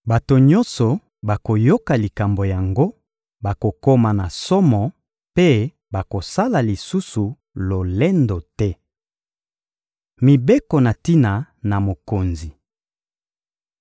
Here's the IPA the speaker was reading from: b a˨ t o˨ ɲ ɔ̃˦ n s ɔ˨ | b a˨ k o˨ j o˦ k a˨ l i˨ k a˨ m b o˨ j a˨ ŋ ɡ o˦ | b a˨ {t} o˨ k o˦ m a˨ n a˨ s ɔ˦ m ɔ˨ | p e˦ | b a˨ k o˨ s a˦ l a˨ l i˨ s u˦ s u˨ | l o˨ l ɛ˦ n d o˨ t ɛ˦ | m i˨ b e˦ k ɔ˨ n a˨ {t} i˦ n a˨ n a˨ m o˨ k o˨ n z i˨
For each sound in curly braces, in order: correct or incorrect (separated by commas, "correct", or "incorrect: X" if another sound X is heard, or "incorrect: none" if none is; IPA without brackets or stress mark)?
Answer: incorrect: k, correct